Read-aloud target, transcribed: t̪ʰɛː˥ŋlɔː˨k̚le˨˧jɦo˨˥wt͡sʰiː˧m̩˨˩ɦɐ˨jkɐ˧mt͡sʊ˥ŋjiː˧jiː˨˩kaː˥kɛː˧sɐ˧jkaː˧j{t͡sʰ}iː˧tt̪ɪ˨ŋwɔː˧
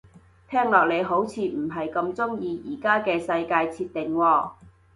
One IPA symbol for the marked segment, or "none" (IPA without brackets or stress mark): t͡sʰ